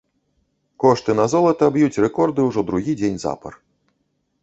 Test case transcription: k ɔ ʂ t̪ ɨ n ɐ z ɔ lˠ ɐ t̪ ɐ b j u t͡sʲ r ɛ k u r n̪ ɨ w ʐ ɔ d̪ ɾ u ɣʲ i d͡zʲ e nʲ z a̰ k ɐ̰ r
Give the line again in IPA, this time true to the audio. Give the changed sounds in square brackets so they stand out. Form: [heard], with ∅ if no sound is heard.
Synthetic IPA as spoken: k ɔ ʂ t̪ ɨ n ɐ z ɔ lˠ ɐ t̪ ɐ b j u t͡sʲ r ɛ k [ɔ] r [d̪] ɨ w ʐ ɔ d̪ ɾ u ɣʲ i d͡zʲ e nʲ z a̰ [p] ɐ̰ r